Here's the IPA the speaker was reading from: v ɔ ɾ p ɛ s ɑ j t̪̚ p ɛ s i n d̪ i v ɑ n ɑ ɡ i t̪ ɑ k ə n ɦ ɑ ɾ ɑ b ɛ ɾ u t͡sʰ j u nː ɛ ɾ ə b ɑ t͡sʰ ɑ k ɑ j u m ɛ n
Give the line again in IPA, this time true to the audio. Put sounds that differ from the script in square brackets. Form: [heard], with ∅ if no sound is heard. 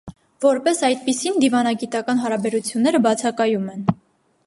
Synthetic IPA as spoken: v ɔ ɾ p ɛ s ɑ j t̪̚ p [i] s i n d̪ i v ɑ n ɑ ɡ i t̪ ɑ k [ɑ] n ɦ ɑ ɾ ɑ b ɛ ɾ u t͡sʰ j u nː ɛ ɾ ə b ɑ t͡sʰ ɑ k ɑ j u m ɛ n